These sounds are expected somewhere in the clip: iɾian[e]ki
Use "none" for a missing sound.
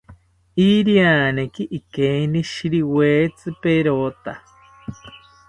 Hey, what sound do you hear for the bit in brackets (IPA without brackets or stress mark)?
e